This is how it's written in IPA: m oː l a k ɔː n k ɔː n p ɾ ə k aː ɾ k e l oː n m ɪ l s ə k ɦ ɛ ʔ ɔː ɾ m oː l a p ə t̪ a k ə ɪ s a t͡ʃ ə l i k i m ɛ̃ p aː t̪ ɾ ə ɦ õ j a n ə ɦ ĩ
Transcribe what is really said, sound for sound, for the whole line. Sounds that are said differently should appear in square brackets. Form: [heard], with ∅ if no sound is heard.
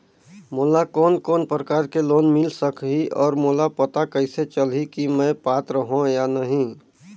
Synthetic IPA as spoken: m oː l a k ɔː n k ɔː n p ɾ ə k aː ɾ k e l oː n m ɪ l s ə k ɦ [i] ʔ ɔː ɾ m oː l a p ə t̪ a k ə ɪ s [e] t͡ʃ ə l i k i m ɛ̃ p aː t̪ ɾ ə ɦ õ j a n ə ɦ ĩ